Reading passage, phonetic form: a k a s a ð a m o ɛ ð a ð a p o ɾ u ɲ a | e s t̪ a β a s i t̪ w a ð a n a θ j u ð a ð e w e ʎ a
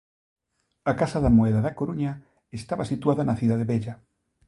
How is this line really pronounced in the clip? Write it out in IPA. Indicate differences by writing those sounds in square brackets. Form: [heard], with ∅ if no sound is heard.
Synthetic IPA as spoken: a k a s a ð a m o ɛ ð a ð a [k] o ɾ u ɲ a | e s t̪ a β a s i t̪ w a ð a n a θ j u ð a ð e [β] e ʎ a